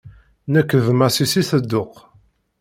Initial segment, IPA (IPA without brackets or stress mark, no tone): n